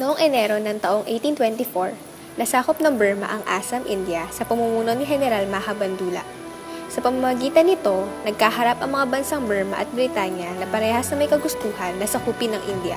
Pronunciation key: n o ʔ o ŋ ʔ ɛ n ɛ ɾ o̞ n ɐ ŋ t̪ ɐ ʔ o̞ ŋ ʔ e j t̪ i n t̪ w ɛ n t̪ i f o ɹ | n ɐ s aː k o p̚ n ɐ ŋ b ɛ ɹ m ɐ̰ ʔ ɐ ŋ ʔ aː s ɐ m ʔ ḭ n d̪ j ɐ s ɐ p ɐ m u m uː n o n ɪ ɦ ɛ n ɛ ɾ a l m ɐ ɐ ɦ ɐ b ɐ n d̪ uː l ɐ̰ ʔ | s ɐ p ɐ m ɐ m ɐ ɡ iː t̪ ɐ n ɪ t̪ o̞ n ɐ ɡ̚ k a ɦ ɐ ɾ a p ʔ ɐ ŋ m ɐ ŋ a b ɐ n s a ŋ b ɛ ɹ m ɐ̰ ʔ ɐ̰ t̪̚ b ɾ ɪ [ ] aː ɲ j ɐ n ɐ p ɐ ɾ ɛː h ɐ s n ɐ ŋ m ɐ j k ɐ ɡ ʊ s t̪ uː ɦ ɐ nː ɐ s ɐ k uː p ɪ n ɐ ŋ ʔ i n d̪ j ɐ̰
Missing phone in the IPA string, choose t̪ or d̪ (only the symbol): t̪